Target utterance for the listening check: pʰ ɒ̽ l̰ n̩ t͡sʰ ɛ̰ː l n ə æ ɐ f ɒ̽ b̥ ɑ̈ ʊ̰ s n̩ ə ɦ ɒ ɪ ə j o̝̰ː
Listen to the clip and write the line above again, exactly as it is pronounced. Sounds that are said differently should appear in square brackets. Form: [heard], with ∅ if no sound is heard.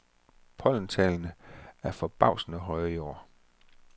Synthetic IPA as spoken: pʰ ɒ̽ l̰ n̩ t͡sʰ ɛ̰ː l n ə æ ɐ f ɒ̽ b̥ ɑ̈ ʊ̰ s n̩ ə ɦ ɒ ɪ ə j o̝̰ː